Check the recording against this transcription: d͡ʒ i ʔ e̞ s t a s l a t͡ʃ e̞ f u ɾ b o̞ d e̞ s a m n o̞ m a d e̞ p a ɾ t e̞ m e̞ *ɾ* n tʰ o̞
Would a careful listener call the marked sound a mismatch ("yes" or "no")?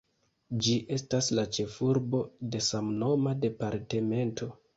yes